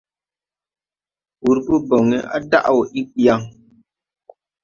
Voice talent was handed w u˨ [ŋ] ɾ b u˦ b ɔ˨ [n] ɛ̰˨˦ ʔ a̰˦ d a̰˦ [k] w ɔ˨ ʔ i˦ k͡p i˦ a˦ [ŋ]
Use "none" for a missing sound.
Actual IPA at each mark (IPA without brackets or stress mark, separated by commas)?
none, ŋ, ʔ, ŋ